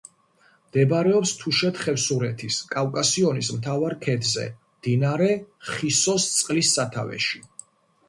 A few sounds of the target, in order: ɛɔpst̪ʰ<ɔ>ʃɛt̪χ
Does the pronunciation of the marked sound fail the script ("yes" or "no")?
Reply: yes